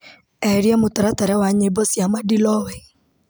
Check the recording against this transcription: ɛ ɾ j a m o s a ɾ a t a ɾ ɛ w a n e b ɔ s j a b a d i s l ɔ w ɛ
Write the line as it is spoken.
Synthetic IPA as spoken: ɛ ɾ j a m o t a ɾ a t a ɾ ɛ w a ɲ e b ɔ s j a m a d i l ɔ w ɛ